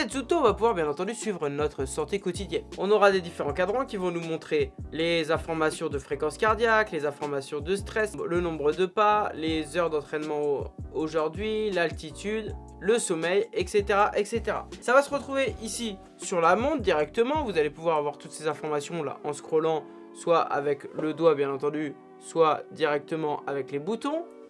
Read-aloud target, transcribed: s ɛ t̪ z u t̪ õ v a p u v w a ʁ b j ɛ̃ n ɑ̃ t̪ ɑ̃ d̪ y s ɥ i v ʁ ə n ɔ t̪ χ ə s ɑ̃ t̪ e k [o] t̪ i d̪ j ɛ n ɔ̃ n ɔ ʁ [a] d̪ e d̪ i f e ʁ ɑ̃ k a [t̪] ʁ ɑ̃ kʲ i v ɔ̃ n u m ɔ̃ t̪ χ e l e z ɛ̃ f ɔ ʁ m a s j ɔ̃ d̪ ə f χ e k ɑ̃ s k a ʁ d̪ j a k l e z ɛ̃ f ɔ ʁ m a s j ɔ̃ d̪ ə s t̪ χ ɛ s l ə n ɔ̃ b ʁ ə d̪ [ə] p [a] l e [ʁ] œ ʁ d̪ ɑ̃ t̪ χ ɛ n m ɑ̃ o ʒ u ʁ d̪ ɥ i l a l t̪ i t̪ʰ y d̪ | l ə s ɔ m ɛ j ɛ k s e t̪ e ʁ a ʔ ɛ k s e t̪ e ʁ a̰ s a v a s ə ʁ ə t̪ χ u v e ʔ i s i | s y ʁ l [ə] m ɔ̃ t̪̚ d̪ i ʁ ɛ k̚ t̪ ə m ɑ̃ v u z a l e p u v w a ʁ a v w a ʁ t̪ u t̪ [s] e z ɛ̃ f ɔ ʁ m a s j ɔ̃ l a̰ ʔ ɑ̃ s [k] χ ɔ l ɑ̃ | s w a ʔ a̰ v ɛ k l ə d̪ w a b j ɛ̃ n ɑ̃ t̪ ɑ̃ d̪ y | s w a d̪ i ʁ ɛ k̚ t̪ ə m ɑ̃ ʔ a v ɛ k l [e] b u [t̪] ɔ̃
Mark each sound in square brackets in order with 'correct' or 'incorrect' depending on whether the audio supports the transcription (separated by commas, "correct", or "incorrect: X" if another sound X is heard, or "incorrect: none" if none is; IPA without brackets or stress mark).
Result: incorrect: ɔ, correct, incorrect: d̪, correct, correct, incorrect: z, incorrect: a, correct, correct, correct, correct